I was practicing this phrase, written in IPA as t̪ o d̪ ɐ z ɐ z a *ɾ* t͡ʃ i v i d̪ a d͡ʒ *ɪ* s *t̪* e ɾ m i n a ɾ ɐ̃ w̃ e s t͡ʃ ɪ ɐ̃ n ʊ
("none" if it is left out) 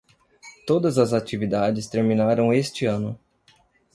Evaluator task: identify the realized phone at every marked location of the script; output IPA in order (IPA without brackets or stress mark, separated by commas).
none, ɪ, t̪